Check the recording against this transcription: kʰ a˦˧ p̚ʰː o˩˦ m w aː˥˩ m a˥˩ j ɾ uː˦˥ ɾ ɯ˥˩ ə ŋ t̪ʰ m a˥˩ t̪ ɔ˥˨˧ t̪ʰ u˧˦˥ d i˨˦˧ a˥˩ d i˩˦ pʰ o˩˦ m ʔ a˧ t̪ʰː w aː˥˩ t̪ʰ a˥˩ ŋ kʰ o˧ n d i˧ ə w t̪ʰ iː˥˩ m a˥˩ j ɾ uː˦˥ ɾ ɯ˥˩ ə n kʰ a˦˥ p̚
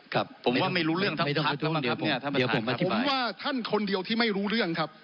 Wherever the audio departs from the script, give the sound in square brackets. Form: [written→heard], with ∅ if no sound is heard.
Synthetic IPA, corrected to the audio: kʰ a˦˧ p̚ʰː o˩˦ m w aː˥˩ m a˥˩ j ɾ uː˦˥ ɾ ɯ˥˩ ə ŋ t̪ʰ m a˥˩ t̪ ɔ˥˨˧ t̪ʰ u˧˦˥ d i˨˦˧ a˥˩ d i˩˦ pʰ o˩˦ m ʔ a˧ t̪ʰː w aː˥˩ t̪ʰ a˥˩ [ŋ→n] kʰ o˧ n d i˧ ə w t̪ʰ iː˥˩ m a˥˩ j ɾ uː˦˥ ɾ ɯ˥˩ ə [n→ŋ] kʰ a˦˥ p̚

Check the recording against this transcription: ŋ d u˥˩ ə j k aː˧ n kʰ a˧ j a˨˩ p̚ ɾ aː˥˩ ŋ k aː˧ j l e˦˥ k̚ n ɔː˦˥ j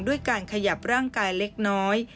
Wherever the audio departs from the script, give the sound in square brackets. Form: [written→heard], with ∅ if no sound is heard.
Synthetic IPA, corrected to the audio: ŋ d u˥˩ ə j k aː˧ n kʰ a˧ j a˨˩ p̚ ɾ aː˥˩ ŋ k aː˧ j l e˦˥ k̚ n ɔː˦˥ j

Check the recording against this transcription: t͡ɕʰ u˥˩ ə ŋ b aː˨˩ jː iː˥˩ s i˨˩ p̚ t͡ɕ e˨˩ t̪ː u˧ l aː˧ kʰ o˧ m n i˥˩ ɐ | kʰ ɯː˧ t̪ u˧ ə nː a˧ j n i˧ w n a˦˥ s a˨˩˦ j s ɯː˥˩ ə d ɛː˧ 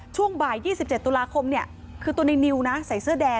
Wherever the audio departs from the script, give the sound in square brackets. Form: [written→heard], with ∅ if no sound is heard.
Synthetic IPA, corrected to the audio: t͡ɕʰ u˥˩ ə ŋ b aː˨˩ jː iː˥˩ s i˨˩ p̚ t͡ɕ e˨˩ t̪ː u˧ l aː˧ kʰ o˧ m n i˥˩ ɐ | kʰ ɯː˧ t̪ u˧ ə [nː→n] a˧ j n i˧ w n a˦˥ s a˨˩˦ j s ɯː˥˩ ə d ɛː˧

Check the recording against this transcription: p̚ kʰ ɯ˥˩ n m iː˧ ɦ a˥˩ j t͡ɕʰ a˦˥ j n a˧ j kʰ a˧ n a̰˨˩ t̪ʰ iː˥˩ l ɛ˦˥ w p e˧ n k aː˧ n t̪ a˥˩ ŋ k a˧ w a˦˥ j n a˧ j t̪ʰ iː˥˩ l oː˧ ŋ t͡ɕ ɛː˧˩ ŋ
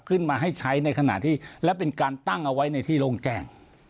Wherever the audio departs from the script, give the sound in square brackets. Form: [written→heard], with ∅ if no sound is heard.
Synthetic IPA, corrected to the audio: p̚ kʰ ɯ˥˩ n m [iː˧→aː˧] ɦ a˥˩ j t͡ɕʰ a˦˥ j n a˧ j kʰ a˧ n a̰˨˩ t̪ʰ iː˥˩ l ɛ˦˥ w p e˧ n k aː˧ n t̪ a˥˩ ŋ [k→ʔ] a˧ w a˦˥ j n a˧ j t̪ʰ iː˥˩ l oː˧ ŋ t͡ɕ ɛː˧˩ ŋ

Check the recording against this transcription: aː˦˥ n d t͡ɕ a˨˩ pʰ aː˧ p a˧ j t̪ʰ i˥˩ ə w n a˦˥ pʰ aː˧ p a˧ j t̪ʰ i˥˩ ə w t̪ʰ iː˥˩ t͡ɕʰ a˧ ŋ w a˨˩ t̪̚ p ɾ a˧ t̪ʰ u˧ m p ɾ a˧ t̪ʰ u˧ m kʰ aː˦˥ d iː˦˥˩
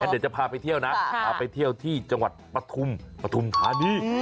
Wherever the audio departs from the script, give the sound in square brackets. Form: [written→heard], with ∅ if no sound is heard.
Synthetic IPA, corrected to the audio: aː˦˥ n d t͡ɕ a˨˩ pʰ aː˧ p a˧ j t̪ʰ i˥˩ ə w n a˦˥ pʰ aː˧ p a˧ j t̪ʰ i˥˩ ə w t̪ʰ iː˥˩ [t͡ɕʰ→t͡ɕ] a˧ ŋ w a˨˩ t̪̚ p ɾ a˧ t̪ʰ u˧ m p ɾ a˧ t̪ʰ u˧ m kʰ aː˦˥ [d→n] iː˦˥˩

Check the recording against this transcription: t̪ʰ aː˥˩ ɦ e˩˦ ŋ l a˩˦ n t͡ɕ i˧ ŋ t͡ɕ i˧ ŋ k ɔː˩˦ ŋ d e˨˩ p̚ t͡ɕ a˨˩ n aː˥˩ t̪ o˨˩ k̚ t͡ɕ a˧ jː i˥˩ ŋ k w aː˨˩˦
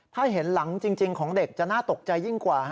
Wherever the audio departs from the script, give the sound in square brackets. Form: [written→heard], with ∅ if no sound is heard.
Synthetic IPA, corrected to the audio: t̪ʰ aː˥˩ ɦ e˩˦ [ŋ→n] l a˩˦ [n→ŋ] t͡ɕ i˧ ŋ t͡ɕ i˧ ŋ [k→kʰ] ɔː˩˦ ŋ d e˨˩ [p̚→k̚] t͡ɕ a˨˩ n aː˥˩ t̪ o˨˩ k̚ t͡ɕ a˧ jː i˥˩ ŋ k w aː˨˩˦

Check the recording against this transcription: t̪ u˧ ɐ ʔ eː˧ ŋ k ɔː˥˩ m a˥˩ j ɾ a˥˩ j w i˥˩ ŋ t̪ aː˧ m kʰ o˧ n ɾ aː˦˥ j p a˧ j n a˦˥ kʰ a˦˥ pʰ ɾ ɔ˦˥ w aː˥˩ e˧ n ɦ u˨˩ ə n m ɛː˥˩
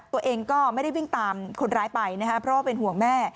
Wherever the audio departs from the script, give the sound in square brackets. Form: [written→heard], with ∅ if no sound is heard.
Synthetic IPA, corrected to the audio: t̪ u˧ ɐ ʔ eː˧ ŋ k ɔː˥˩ m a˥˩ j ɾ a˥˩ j w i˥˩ ŋ t̪ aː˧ m kʰ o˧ n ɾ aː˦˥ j p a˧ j n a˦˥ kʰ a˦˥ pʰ ɾ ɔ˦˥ w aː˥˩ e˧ n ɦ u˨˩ ə [n→ŋ] m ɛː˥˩

